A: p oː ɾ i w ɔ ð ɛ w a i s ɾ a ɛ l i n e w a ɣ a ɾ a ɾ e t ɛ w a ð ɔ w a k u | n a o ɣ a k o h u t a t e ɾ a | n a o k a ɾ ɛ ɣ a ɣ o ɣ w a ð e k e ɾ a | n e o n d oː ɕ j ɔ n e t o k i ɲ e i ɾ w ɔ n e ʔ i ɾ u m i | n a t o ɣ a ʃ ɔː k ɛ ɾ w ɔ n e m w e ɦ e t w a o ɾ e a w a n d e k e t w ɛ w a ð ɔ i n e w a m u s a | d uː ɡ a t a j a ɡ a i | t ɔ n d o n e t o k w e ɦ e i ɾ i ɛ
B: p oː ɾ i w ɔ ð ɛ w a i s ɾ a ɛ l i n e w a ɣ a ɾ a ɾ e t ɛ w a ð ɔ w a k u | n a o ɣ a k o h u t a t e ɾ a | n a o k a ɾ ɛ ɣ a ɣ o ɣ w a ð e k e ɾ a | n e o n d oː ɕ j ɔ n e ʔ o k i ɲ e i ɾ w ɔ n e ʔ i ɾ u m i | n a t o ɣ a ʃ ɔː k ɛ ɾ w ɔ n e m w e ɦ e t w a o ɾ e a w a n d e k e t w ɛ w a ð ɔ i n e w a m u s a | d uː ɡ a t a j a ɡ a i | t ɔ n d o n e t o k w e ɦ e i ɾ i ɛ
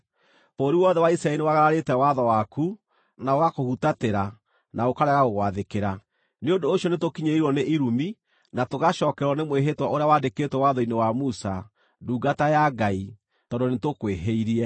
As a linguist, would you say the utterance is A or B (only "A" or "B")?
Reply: A